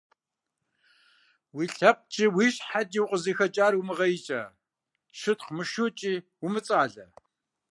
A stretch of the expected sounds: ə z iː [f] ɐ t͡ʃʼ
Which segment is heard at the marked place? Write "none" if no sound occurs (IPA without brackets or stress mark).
x